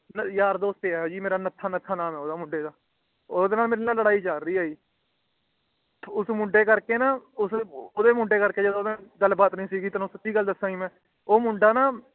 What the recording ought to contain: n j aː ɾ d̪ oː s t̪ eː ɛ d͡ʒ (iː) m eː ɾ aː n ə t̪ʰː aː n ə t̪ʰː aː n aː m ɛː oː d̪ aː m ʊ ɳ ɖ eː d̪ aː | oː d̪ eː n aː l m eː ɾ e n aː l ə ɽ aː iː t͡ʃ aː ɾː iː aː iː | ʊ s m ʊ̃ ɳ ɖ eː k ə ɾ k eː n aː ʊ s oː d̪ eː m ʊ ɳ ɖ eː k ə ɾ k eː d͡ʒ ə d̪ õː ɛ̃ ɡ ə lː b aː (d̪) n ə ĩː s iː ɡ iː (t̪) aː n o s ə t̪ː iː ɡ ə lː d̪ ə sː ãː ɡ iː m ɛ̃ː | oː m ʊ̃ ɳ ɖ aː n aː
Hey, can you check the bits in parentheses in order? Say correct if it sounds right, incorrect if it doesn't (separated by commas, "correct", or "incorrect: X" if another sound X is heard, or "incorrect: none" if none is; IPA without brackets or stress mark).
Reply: correct, incorrect: t̪, correct